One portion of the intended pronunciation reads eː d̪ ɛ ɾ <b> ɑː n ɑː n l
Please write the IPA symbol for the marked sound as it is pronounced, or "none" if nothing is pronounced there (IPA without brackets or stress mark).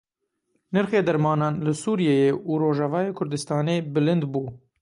m